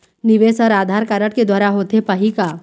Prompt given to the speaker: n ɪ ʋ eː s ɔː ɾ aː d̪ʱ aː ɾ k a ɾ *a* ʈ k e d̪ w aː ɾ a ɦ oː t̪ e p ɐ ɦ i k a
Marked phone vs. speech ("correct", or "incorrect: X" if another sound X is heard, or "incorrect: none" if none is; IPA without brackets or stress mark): incorrect: ə